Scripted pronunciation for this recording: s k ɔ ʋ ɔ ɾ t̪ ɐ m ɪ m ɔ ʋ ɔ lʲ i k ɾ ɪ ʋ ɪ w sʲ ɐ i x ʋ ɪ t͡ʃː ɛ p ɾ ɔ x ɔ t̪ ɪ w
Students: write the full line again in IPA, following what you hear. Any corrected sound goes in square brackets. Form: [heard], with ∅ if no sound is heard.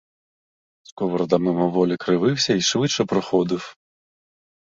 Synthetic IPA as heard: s k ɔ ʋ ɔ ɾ [d̪] ɐ m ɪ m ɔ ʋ ɔ lʲ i k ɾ ɪ ʋ ɪ w sʲ ɐ i [ʃ] ʋ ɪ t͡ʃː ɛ p ɾ ɔ x ɔ [d̪] ɪ w